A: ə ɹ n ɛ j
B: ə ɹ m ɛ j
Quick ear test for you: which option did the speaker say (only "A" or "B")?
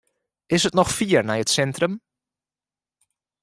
A